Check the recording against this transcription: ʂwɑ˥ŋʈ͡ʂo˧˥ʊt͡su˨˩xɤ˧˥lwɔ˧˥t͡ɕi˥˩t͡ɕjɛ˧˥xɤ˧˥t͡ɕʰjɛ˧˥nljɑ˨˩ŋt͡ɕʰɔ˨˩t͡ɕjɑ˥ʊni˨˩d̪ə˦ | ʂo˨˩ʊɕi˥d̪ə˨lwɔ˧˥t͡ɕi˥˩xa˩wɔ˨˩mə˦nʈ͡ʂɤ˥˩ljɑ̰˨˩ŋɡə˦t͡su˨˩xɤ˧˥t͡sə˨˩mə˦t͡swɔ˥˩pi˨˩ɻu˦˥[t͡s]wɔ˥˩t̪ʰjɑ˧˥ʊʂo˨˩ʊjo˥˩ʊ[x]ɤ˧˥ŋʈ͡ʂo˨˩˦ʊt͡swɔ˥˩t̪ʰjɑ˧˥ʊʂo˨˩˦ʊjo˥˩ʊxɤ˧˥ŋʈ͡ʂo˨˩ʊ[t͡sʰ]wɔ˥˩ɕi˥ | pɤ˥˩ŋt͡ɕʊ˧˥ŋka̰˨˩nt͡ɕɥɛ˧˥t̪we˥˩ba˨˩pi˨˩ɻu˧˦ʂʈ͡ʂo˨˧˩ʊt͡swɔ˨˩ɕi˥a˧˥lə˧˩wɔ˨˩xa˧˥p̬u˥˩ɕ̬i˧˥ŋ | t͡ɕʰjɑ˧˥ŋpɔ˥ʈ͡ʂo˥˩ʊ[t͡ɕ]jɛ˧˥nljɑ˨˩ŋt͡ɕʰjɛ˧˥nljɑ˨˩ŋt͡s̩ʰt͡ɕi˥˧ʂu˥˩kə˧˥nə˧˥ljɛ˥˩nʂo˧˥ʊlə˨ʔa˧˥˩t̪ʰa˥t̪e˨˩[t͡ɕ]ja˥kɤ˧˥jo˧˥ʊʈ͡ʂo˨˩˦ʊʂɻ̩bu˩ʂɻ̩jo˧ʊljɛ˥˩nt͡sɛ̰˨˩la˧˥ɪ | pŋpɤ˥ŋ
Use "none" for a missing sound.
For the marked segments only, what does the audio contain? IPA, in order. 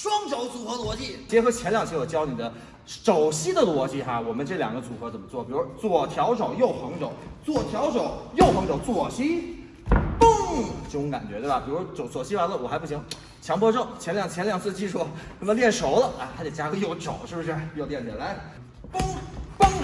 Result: t͡s, x, t͡s, t͡ɕʰ, t͡ɕ

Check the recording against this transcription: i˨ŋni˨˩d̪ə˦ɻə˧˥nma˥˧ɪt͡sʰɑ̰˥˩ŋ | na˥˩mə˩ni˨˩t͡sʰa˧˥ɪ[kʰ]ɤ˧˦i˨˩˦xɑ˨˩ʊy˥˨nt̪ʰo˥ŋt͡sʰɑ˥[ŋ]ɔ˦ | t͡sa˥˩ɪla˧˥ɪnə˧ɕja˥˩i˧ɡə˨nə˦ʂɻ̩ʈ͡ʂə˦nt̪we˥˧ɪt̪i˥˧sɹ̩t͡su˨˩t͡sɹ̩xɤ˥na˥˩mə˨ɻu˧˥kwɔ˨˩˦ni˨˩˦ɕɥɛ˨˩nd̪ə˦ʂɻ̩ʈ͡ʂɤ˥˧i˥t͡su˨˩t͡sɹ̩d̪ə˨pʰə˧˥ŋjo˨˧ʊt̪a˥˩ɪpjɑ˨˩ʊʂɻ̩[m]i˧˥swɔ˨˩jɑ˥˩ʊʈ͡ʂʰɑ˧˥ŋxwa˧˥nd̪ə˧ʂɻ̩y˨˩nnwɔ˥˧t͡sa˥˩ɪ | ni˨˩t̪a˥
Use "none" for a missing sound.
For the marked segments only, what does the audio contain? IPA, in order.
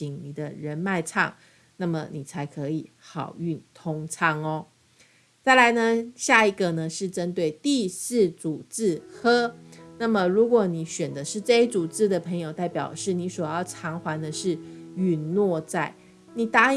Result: kʰ, ŋ, n

